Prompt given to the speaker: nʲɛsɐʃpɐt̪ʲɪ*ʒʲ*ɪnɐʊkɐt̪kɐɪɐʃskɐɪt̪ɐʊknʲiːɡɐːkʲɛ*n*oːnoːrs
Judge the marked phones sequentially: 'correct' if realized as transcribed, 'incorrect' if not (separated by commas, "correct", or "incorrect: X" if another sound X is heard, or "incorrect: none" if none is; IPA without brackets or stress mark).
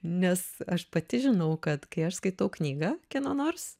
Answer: correct, correct